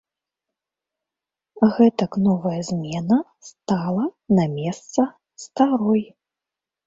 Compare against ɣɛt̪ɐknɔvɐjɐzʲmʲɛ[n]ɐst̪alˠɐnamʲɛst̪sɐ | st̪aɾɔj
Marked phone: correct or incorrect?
correct